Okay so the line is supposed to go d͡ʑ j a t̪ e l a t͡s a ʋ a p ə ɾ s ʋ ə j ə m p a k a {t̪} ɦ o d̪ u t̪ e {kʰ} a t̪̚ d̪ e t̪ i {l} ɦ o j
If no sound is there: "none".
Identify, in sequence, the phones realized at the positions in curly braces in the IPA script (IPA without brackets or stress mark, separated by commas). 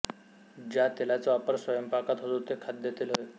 t̪, kʰ, l